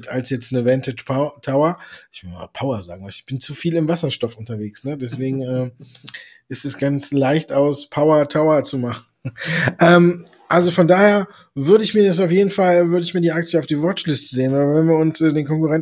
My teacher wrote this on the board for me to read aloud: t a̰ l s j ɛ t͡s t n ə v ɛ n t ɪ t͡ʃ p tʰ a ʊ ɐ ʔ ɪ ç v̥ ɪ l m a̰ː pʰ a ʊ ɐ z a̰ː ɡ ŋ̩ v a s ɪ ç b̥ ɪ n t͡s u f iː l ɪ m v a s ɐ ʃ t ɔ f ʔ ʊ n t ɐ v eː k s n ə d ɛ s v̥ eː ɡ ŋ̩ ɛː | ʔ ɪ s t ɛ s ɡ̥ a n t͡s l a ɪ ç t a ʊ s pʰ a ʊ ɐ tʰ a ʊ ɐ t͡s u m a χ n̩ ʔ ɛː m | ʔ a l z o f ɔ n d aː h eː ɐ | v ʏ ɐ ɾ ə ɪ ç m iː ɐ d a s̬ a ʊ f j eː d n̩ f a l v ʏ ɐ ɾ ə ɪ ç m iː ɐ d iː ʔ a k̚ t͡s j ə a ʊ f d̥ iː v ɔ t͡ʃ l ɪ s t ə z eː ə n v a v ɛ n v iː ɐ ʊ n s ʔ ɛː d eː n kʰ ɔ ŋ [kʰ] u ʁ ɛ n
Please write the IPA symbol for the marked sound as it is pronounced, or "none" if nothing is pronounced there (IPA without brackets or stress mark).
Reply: k